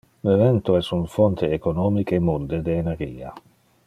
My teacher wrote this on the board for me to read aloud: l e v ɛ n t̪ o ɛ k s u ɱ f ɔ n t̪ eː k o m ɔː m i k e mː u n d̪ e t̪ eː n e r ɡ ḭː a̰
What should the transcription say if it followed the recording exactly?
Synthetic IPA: l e v ɛ n t̪ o ɛ s u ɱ f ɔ n t̪ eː k o n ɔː m i k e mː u n d̪ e d̪ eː n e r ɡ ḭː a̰

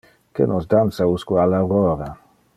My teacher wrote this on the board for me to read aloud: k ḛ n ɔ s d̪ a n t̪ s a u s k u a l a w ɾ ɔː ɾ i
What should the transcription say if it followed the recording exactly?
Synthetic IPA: k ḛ n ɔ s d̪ a n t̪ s a u s k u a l a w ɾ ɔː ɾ a

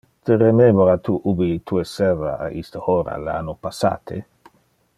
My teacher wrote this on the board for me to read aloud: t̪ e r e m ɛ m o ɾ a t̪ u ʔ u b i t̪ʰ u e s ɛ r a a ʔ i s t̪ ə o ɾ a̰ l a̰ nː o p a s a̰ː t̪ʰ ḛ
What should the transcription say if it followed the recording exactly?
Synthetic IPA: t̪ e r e m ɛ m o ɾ a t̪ u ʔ u b i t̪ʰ u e s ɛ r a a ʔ i s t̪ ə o ɾ a̰ l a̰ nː o p a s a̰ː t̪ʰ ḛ

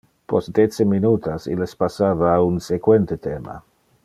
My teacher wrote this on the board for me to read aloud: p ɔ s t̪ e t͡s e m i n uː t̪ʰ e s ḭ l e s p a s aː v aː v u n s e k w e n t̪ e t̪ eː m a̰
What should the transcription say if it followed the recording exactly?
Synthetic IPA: p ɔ s d̪ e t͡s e m i n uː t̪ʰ a s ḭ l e s p a s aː v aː u n s e k w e n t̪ e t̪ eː m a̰

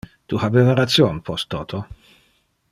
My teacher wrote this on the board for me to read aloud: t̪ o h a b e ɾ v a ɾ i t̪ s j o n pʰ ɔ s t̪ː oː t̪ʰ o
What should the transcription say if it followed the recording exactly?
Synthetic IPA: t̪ u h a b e v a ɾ a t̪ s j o n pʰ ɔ s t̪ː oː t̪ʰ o

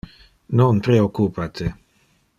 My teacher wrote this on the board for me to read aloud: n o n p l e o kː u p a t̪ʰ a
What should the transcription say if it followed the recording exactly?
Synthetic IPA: n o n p ɾ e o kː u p a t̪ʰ e

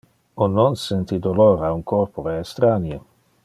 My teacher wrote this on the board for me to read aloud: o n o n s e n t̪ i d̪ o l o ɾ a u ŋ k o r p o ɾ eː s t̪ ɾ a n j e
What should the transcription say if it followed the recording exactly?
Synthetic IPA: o n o n s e n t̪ i d̪ o l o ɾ a u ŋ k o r p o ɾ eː s t̪ ɾ a n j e

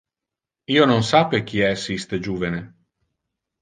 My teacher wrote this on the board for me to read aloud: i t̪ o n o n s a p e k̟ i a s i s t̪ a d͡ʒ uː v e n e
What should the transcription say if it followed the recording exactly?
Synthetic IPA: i o n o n s a p e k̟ i ɛ s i s t̪ e d͡ʒ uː v e n e

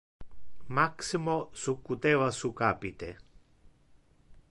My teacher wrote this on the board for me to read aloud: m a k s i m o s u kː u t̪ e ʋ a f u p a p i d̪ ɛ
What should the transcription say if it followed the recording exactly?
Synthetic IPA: m a k s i m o s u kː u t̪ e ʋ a s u k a p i t̪ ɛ

